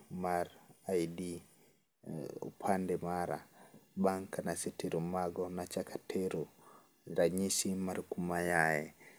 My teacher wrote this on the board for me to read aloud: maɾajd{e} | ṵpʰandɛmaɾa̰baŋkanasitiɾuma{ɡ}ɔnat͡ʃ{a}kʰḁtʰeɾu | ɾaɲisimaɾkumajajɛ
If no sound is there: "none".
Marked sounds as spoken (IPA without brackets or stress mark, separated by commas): i, ɡ, a